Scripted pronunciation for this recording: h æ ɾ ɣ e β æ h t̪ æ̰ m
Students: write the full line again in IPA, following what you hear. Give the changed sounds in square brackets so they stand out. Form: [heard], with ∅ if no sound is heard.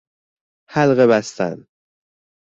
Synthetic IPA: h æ [l] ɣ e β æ [s] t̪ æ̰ [n]